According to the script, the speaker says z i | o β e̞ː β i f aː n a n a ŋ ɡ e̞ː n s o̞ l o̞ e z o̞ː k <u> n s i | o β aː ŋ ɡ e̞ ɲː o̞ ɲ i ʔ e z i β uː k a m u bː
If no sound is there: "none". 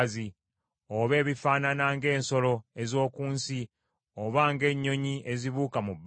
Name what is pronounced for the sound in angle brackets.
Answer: uː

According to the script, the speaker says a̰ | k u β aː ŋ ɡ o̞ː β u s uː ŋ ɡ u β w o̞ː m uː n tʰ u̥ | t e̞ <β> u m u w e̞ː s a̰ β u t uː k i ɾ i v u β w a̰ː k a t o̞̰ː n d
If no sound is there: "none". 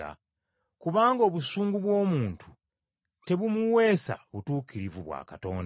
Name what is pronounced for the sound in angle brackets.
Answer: β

